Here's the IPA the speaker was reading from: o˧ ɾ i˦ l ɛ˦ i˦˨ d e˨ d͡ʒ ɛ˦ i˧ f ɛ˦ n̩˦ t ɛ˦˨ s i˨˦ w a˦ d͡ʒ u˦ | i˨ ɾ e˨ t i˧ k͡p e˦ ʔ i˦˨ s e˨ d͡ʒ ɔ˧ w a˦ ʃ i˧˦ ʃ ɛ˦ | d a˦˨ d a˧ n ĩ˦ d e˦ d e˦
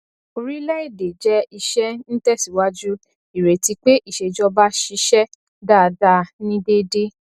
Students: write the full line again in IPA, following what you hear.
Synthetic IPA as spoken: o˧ ɾ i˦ l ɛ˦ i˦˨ d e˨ d͡ʒ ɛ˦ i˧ ʃ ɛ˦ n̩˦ t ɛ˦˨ s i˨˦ w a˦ d͡ʒ u˦ | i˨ ɾ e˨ t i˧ k͡p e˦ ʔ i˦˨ ʃ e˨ d͡ʒ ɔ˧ b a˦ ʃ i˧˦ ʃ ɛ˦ | d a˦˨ d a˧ n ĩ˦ d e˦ d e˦